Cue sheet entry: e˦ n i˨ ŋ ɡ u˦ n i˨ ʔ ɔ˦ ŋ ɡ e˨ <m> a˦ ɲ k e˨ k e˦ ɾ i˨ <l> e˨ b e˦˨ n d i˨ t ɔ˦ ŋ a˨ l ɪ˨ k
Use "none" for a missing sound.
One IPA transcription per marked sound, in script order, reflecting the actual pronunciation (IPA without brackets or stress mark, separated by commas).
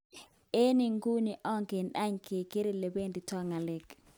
n, l